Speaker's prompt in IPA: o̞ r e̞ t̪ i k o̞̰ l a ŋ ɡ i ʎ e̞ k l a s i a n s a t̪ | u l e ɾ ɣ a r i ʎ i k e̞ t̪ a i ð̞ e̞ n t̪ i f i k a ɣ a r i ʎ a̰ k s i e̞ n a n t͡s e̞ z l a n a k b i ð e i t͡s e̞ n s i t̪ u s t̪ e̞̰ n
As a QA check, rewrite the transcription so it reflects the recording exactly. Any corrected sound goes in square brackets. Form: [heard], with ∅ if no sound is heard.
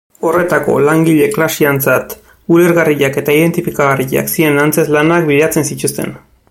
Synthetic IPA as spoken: o̞ r e̞ t̪ [a] k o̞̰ l a ŋ ɡ i ʎ e̞ k l a s i a n [t͡s] a t̪ | u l e ɾ ɣ a r i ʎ [a] k e̞ t̪ a i ð̞ e̞ n t̪ i f i k a ɣ a r i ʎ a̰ k s i e̞ n a n t͡s e̞ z l a n a k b i ð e [a] t͡s e̞ n s i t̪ u s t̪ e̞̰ n

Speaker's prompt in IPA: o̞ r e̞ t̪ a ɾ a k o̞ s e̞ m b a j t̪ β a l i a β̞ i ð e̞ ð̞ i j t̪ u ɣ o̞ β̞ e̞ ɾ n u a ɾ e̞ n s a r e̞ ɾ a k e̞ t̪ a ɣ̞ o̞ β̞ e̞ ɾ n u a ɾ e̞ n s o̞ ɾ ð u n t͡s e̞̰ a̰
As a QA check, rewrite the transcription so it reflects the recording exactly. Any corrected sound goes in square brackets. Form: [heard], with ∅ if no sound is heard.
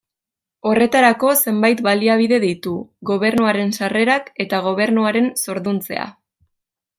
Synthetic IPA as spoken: o̞ r e̞ t̪ a ɾ a k o̞ s e̞ m b a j t̪ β a l i a β̞ i ð e̞ ð̞ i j t̪ u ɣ o̞ β̞ e̞ ɾ n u a ɾ e̞ n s a r e̞ ɾ a k e̞ t̪ a ɣ̞ o̞ β̞ e̞ ɾ n u a ɾ e̞ n s o̞ ɾ ð u n t͡s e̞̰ a̰

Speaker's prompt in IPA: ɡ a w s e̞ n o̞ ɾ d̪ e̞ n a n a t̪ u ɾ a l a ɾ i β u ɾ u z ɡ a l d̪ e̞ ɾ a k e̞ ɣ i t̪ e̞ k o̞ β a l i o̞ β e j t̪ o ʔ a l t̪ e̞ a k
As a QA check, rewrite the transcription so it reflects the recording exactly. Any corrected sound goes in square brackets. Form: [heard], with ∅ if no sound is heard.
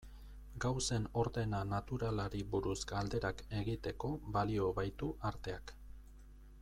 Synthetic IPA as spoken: ɡ a w s e̞ n o̞ ɾ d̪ e̞ n a n a t̪ u ɾ a l a ɾ i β u ɾ u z ɡ a l d̪ e̞ ɾ a k e̞ ɣ i t̪ e̞ k o̞ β a l i o̞ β [a] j t̪ [u] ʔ a [ɾ] t̪ e̞ a k

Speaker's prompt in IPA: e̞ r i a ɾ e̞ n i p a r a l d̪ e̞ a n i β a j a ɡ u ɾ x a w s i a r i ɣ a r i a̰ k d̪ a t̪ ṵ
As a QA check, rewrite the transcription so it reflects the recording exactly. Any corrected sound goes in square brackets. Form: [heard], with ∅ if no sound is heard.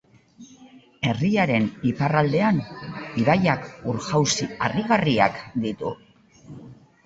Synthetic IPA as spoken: e̞ r i a ɾ e̞ n i p a r a l d̪ e̞ a n i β a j a [k] u ɾ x a w s i a r i ɣ a r i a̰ k d̪ [i] t̪ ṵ

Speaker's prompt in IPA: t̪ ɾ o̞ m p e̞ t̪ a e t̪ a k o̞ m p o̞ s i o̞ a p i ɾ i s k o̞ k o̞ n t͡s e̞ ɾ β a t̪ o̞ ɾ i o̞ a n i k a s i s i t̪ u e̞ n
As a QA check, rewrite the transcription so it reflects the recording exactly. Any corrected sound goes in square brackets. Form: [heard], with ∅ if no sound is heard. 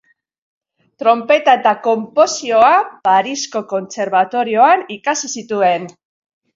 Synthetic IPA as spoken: t̪ ɾ o̞ m p e̞ t̪ a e t̪ a k o̞ m p o̞ s i o̞ a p [a] ɾ i s k o̞ k o̞ n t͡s e̞ ɾ β a t̪ o̞ ɾ i o̞ a n i k a s i s i t̪ u e̞ n

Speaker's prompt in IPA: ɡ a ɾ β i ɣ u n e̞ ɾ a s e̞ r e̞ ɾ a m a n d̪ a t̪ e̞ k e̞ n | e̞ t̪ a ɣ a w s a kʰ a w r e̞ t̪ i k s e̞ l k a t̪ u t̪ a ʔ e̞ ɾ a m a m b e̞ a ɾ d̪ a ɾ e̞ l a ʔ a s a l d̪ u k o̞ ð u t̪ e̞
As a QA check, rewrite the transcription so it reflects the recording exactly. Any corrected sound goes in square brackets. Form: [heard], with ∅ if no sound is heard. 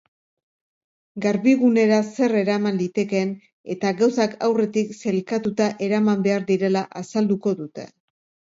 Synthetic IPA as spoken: ɡ a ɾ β i ɣ u n e̞ ɾ a s e̞ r e̞ ɾ a m a n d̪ [i] t̪ e̞ k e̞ n | e̞ t̪ a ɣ a w s a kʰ a w r e̞ t̪ i k s e̞ l k a t̪ u t̪ a ʔ e̞ ɾ a m a m b e̞ a ɾ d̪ [i] ɾ e̞ l a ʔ a s a l d̪ u k o̞ ð u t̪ e̞

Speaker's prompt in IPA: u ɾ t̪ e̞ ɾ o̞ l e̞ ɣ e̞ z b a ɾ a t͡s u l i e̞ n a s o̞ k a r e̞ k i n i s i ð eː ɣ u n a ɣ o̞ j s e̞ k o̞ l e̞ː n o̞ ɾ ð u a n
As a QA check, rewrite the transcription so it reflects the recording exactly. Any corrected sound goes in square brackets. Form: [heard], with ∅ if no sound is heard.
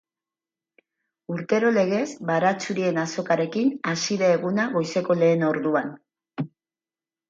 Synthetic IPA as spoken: u ɾ t̪ e̞ ɾ o̞ l e̞ ɣ e̞ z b a ɾ a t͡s u [ɾ] i e̞ n a s o̞ k a [ɾ] e̞ k i n [a] s i ð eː ɣ u n a ɣ o̞ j s e̞ k o̞ l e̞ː n o̞ ɾ ð u a n

